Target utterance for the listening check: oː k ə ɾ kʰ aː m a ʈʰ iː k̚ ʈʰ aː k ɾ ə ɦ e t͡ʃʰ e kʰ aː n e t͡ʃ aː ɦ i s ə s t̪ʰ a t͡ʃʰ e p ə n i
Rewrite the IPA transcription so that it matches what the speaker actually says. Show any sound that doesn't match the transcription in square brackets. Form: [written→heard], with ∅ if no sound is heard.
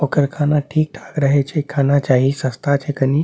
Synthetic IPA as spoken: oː k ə ɾ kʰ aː [m→n] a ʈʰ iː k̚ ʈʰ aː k ɾ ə ɦ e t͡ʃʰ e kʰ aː n [e→a] t͡ʃ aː ɦ i s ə s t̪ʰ a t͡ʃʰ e [p→k] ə n i